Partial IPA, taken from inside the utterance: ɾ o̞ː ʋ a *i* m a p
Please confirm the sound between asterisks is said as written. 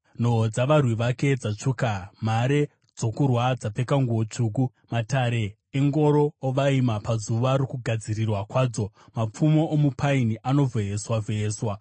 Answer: yes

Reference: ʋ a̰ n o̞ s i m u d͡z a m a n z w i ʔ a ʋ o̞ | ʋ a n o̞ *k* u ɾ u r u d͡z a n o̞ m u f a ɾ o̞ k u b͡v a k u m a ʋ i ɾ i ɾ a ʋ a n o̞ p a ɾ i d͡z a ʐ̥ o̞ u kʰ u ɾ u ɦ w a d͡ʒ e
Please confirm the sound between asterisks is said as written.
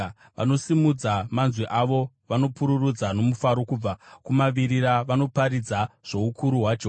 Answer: no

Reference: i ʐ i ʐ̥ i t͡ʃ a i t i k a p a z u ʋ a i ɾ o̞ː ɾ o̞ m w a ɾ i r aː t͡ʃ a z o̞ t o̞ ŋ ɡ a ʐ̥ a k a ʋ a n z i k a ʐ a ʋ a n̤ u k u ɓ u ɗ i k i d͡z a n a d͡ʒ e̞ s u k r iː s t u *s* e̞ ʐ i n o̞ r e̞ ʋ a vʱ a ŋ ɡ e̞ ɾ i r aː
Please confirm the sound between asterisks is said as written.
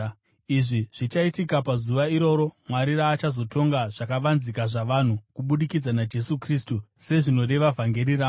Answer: yes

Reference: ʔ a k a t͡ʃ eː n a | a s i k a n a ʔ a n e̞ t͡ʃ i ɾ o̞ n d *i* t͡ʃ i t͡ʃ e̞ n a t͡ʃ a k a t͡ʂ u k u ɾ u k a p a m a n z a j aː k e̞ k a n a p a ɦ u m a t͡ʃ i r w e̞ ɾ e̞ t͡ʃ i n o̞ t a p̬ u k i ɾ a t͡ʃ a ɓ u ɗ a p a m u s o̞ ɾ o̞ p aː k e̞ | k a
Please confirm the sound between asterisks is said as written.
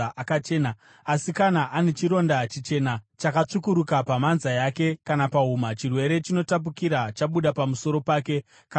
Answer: no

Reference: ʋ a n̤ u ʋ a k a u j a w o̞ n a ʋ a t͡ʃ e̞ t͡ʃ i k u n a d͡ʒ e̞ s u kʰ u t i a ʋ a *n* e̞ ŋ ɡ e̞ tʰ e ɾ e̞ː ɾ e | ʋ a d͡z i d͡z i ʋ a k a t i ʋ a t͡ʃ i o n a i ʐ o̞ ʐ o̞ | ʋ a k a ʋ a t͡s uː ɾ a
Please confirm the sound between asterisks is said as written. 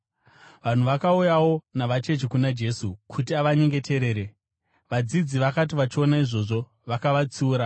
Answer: no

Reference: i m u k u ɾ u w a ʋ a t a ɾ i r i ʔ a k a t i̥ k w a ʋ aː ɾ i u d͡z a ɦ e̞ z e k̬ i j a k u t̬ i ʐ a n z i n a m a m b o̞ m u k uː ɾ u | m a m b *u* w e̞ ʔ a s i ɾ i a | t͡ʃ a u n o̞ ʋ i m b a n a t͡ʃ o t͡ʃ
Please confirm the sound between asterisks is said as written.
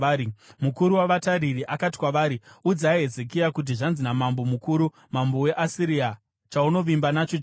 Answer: no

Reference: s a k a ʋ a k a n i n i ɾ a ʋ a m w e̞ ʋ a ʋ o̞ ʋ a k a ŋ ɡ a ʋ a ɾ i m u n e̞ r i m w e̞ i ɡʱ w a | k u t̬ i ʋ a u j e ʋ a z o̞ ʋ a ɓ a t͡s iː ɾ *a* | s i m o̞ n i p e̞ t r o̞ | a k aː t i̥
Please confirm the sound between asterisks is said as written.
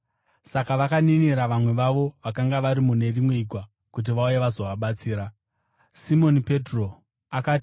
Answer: yes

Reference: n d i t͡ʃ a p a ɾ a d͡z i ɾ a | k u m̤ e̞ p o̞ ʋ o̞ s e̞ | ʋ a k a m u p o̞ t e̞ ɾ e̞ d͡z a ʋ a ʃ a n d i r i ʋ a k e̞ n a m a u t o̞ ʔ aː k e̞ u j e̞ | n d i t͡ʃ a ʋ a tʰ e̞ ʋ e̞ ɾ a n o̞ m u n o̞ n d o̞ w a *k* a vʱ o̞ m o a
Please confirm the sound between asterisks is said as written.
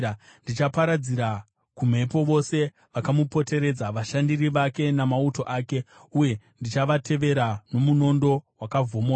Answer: yes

